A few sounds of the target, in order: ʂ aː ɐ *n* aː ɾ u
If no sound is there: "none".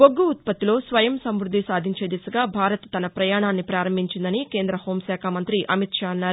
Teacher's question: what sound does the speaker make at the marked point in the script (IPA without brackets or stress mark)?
nː